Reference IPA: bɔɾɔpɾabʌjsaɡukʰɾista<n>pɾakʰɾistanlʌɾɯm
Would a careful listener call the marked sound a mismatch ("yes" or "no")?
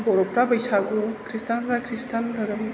no